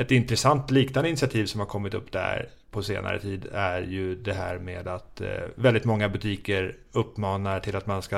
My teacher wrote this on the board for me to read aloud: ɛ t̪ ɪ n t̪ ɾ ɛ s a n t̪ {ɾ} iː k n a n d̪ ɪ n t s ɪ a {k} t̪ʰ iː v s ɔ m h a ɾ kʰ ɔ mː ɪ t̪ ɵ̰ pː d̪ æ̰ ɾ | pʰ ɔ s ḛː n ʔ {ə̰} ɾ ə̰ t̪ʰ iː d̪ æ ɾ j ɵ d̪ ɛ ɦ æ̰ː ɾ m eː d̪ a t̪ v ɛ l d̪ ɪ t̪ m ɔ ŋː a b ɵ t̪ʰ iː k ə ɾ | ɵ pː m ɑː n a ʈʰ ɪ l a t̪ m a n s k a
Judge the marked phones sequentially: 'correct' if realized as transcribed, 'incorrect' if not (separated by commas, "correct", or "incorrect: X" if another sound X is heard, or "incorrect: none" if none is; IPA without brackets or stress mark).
incorrect: l, incorrect: none, incorrect: a̰